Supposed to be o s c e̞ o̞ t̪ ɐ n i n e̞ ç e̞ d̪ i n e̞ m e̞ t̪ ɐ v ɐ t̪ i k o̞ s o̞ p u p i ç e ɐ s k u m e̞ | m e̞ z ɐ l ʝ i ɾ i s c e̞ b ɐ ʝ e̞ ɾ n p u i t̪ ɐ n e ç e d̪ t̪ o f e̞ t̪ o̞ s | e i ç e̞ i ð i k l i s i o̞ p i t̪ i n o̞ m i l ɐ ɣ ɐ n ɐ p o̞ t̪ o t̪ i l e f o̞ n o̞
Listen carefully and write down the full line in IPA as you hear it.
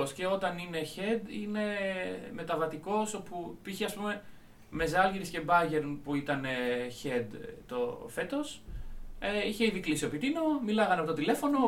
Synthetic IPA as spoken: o s c e̞ o̞ t̪ ɐ n i n e̞ ç e̞ d̪ i n e̞ m e̞ t̪ ɐ v ɐ t̪ i k o̞ s o̞ p u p i ç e ɐ s p u m e̞ | m e̞ z ɐ l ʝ i ɾ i s c e̞ b ɐ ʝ e̞ ɾ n p u i t̪ ɐ n e ç e d̪ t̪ o f e̞ t̪ o̞ s | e i ç e̞ i ð i k l i s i o̞ p i t̪ i n o̞ m i l ɐ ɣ ɐ n ɐ p o̞ t̪ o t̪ i l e f o̞ n o̞